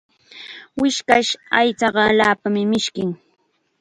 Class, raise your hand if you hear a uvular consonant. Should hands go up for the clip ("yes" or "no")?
yes